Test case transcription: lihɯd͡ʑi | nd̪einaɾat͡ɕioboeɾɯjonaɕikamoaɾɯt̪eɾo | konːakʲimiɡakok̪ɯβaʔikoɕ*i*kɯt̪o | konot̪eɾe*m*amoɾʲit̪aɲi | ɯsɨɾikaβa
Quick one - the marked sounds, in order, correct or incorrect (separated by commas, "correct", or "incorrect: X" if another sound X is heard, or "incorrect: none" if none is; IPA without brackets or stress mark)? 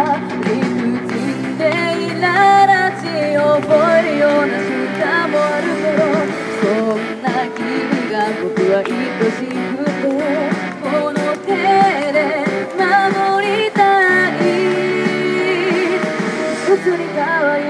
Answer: correct, correct